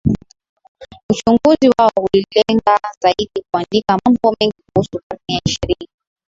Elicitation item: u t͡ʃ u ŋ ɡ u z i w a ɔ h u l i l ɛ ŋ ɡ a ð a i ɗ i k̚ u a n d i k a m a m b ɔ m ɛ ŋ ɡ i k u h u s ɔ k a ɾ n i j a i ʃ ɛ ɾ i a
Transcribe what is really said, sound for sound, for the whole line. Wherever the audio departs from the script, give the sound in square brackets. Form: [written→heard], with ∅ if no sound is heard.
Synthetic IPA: u t͡ʃ u ŋ ɡ u z i w a ɔ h u l i l ɛ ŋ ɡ a [ð→z] a i ɗ i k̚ u a n d i k a m a m b ɔ m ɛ ŋ ɡ i k u h u s [ɔ→u] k a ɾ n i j a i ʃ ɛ ɾ i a

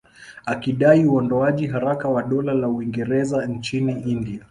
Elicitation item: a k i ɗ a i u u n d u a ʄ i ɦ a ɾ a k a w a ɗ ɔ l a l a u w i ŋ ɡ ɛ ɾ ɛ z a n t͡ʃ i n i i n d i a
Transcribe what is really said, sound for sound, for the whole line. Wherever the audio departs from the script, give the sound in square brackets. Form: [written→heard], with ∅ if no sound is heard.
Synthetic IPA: a k i ɗ a i u [u→ɔ] n d [u→ɔ] a ʄ i ɦ a ɾ a k a w a ɗ ɔ l a l a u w i ŋ ɡ ɛ ɾ ɛ z a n t͡ʃ i n i i n d i a

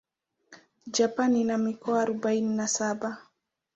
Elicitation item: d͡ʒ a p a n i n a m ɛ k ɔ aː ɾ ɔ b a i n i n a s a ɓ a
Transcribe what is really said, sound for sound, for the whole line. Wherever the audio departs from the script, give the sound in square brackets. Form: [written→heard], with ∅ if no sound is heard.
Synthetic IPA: d͡ʒ a p a n i n a m [ɛ→i] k ɔ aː ɾ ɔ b a i n i n a s a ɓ a

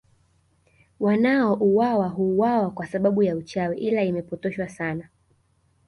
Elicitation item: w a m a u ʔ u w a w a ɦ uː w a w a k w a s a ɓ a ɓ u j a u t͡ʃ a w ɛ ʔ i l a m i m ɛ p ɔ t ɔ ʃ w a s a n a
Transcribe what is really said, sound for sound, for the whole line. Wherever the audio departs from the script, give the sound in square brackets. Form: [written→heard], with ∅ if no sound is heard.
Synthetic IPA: w a [m→n] a [u→ɔ] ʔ u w a w a ɦ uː w a w a k w a s a ɓ a ɓ u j a u t͡ʃ a w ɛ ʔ i l a [m→∅] i m ɛ p ɔ t ɔ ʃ w a s a n a

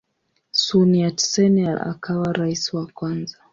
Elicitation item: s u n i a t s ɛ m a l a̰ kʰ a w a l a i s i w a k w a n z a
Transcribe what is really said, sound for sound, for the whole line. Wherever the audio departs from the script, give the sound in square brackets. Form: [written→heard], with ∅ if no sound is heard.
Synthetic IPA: s u n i a t s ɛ [m→n] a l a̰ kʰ a w a [l→ɾ] a i s i w a k w a n z a

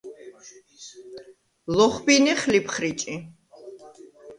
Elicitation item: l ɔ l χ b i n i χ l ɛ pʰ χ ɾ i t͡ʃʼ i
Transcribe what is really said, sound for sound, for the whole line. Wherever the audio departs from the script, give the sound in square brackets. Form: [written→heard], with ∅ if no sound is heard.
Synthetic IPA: l ɔ [l→∅] χ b i n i χ l [ɛ→i] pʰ χ ɾ i t͡ʃʼ i

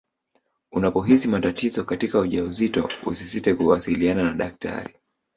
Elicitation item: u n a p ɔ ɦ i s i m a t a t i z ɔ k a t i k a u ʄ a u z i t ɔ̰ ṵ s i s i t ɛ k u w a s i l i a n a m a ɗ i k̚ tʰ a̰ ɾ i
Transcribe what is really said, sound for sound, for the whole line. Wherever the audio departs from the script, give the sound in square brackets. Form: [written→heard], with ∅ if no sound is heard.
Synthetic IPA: u n a p ɔ ɦ i s i m a t a t i z ɔ k a t i k a u ʄ a u z i t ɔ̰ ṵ s i s i t ɛ k u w a s i l i a n a [m→n] a ɗ [i→a] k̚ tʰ a̰ ɾ i

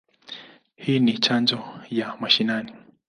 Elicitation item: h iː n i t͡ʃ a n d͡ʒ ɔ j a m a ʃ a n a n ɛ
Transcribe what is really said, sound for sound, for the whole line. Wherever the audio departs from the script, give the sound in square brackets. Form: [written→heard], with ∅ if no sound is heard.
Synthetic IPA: h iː n i t͡ʃ a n d͡ʒ ɔ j a m a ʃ [a→i] n a n [ɛ→i]

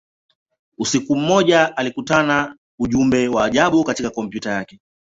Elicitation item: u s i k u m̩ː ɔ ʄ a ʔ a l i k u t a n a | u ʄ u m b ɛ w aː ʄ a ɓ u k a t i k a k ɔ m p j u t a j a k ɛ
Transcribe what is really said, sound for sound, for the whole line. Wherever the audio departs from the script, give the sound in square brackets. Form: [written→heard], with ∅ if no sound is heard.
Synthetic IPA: u s i k u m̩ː ɔ ʄ a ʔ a l i k u t a n a | u ʄ u m b ɛ w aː ʄ a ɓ u k a t i k a k ɔ m p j u t a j a k ɛ

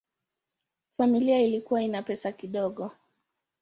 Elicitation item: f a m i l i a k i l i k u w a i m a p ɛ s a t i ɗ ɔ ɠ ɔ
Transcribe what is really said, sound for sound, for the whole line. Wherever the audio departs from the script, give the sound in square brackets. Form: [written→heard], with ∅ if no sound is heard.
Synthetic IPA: f a m i l i a [k→∅] i l i k u w a i [m→n] a p ɛ s a [t→k] i ɗ ɔ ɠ ɔ

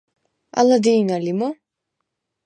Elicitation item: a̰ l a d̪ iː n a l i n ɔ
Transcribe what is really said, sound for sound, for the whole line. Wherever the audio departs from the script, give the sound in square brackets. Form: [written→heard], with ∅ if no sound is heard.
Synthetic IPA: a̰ l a d̪ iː n a l i [n→m] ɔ

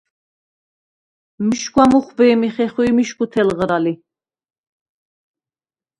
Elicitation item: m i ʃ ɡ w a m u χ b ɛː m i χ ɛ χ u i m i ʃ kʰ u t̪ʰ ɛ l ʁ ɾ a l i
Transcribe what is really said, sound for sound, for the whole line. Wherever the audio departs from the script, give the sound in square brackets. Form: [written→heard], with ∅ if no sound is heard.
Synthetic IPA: m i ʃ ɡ w a m u χ b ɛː m i χ ɛ χ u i m i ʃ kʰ u t̪ʰ ɛ l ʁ ɾ a l i

